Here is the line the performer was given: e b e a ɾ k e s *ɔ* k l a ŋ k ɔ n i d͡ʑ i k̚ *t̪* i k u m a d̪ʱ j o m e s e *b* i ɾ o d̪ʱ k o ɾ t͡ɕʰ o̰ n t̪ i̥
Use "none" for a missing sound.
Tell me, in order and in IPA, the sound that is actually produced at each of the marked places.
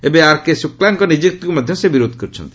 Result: u, t̪, b

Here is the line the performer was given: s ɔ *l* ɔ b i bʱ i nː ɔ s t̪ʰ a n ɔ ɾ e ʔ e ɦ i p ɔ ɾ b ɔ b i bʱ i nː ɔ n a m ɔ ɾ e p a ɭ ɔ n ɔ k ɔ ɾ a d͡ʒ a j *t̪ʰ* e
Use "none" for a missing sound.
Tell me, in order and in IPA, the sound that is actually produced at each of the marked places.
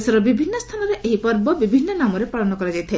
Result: ɾ, t̪ʰ

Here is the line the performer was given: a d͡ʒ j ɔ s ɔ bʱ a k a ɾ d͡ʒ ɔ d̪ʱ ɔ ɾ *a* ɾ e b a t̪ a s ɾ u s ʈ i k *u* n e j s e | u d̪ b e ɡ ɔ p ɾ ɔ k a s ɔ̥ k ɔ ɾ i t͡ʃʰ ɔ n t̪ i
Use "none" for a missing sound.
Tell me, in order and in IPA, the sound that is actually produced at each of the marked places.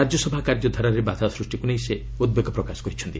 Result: a, u

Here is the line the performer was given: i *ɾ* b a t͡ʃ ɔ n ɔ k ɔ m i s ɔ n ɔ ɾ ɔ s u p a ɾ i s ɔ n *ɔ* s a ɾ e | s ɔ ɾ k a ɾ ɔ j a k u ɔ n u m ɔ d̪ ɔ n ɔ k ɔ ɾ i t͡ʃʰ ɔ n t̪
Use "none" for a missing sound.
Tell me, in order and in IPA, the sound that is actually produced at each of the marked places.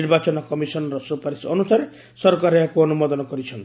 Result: ɾ, u

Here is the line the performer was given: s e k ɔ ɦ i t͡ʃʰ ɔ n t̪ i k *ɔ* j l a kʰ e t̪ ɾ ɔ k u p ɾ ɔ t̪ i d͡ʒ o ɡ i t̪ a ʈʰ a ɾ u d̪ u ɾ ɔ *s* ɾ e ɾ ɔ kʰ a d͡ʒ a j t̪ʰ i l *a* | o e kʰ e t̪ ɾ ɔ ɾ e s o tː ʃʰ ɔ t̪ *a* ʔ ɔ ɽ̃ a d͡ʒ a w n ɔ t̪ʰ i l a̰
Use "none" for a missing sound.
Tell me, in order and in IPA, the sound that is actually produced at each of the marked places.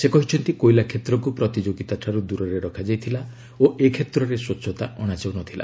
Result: o, none, a, a

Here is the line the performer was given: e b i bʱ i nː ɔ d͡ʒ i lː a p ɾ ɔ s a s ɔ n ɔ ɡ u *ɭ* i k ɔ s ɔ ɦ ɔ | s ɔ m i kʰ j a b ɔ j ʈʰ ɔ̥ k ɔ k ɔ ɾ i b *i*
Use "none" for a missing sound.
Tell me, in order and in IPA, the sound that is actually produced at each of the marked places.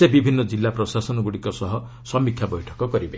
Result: ɽ, e

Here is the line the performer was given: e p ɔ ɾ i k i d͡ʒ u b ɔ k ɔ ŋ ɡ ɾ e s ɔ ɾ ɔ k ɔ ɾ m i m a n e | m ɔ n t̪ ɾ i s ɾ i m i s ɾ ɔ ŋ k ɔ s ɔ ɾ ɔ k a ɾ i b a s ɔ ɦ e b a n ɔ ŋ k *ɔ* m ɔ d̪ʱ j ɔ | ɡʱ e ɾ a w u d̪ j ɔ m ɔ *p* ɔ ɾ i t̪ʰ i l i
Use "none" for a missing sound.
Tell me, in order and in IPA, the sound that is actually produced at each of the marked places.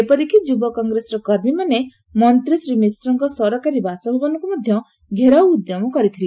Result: u, k

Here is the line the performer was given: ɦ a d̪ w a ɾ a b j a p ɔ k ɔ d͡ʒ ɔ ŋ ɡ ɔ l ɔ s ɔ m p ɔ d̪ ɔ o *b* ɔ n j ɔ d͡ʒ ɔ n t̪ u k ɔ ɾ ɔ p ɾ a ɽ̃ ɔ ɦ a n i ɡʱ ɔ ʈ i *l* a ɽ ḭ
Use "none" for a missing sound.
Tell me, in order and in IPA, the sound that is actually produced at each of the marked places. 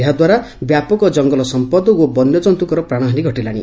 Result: b, l

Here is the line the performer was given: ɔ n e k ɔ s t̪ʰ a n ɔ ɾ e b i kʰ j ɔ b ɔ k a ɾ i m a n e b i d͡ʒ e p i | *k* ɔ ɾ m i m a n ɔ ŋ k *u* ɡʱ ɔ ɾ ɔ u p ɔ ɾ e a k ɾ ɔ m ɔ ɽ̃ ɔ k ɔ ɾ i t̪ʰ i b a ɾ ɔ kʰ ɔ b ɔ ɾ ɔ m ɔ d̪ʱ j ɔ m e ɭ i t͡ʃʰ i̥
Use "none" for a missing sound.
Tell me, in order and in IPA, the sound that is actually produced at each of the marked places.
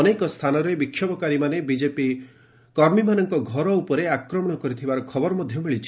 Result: k, ɔ

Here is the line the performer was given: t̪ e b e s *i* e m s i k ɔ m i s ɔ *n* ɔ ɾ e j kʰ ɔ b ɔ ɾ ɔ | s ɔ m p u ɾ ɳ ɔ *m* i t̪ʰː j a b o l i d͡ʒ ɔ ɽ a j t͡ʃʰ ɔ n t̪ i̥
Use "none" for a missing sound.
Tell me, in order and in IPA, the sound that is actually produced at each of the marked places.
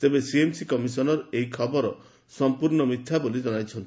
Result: i, n, m

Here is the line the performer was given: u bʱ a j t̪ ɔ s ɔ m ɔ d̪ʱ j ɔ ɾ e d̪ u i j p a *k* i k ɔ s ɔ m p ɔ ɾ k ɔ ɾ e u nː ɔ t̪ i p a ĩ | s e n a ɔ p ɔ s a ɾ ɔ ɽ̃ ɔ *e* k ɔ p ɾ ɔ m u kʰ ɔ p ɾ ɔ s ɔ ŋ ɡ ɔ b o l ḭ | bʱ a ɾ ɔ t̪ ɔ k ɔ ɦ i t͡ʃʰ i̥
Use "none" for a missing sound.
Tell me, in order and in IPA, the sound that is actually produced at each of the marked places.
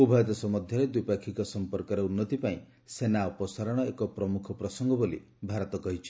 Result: kʰ, e

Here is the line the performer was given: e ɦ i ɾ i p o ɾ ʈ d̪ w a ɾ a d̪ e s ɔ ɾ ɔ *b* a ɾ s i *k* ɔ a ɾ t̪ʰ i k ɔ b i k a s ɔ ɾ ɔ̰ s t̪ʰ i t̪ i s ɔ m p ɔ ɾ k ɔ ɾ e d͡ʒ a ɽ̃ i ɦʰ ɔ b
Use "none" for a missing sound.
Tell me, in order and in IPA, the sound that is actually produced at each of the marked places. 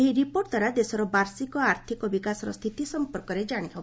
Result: b, k

